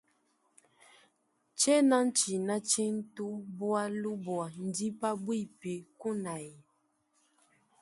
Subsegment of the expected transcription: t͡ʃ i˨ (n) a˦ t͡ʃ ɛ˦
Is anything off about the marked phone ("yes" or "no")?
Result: no